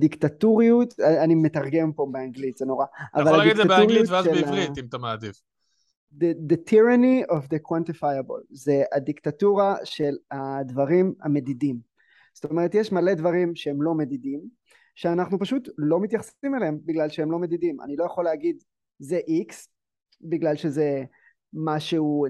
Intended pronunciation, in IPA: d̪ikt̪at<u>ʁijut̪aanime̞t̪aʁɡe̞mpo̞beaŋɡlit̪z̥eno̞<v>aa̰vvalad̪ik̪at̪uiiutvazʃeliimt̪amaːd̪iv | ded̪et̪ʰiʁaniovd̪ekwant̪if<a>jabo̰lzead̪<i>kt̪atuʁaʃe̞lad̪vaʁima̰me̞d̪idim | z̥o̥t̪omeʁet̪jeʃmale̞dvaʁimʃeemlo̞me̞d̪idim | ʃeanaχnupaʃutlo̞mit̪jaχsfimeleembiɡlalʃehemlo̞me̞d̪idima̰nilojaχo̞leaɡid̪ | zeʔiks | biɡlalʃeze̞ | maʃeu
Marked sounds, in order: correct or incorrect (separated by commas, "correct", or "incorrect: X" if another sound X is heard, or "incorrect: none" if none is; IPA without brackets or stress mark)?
correct, incorrect: ʁ, correct, correct